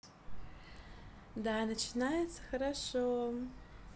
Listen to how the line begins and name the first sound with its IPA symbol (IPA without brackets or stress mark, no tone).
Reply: d